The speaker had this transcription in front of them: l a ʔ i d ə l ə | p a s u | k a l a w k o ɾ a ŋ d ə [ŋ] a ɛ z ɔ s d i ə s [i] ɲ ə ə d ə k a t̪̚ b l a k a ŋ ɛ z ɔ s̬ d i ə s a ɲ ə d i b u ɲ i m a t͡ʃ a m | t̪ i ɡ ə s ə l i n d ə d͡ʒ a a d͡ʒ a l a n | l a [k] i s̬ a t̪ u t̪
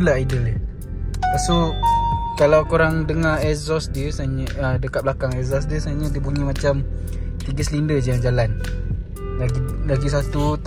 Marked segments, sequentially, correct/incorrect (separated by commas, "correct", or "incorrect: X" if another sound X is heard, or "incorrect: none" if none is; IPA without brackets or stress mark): correct, incorrect: a, incorrect: ɡ